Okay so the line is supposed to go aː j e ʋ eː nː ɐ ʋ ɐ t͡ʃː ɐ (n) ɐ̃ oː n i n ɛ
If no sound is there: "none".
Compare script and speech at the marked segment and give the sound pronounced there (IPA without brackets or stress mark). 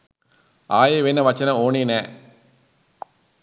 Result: n